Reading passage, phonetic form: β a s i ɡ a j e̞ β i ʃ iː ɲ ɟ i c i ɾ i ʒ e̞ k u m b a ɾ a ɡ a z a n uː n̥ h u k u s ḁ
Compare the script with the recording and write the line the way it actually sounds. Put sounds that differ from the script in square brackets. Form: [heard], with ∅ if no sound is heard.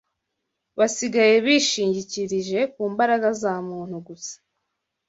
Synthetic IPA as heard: β a s i ɡ a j e̞ β i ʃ iː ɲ ɟ i c i ɾ i ʒ e̞ k [uː] m b a ɾ a ɡ a z a [m] uː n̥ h u [ɡ] u s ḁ